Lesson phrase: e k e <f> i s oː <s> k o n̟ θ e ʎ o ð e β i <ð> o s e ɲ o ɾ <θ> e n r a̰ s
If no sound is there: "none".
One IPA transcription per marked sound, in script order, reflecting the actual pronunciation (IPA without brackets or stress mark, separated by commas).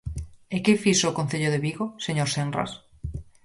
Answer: f, none, ɣ, s